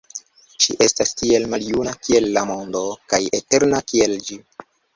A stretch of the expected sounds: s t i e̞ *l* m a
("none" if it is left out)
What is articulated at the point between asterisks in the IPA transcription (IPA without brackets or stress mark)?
l